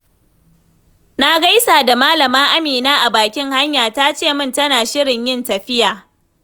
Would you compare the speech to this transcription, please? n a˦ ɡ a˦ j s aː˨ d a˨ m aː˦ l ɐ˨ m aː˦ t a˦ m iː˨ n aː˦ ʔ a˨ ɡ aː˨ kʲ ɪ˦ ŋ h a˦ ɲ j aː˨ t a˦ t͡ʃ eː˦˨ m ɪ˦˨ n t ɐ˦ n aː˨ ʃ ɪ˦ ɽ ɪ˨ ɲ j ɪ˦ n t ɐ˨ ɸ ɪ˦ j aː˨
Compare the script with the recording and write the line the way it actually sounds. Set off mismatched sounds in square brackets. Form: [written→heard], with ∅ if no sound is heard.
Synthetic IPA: n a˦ ɡ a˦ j s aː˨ d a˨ m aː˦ l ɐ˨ m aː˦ [t→ʔ] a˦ m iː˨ n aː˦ ʔ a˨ [ɡ→b] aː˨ kʲ ɪ˦ ŋ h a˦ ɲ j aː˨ t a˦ t͡ʃ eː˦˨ m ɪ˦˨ n t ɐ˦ n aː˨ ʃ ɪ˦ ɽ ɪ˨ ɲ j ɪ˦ n t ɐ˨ ɸ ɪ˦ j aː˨

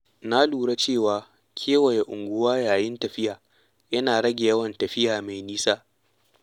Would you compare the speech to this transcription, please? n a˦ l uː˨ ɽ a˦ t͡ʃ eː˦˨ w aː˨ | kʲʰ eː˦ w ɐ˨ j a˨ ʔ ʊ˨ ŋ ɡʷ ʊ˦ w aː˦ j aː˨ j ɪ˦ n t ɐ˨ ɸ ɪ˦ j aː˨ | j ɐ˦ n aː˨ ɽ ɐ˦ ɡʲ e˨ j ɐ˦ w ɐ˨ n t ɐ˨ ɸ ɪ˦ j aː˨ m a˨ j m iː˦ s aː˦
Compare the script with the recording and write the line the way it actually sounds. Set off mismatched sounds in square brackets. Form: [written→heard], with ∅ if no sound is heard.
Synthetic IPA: n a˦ l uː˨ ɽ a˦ t͡ʃ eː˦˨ w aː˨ | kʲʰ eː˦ w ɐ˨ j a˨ ʔ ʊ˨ ŋ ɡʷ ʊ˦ w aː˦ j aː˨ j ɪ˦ n t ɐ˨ ɸ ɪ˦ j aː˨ | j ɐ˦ n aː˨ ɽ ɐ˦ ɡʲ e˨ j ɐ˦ w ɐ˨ n t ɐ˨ ɸ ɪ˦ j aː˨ m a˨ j [m→n] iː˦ s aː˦

